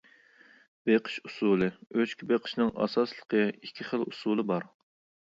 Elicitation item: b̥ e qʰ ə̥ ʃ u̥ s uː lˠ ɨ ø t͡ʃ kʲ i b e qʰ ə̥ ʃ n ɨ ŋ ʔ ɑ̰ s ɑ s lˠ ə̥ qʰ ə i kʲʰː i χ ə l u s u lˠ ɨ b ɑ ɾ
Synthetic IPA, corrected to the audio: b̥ e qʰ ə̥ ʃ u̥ s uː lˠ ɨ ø t͡ʃ kʲ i b e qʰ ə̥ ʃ n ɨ ŋ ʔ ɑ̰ s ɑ s lˠ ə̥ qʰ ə i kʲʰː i χ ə l u s u lˠ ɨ b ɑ ɾ